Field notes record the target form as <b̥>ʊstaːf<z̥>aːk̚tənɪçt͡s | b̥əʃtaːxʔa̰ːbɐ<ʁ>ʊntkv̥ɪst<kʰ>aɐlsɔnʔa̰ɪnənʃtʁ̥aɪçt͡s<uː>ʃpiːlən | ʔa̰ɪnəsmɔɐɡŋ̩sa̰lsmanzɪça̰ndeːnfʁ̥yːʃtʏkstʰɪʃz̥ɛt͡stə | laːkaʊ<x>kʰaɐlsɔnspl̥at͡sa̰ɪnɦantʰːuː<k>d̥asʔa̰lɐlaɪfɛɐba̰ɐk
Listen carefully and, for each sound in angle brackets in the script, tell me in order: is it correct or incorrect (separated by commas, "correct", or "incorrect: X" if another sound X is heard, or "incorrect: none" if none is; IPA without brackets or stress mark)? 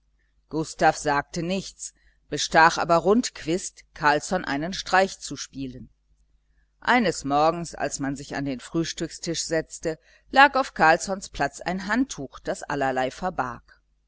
incorrect: ɡ̥, correct, correct, correct, incorrect: u, incorrect: f, incorrect: x